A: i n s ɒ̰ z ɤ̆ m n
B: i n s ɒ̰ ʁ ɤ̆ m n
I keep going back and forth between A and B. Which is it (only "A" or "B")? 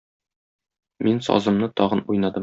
A